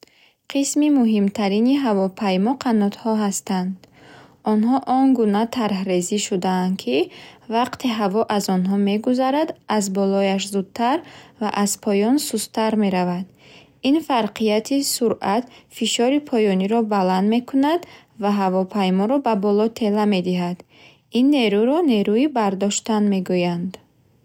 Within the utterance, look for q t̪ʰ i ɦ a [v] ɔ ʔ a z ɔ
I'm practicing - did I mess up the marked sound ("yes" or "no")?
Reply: no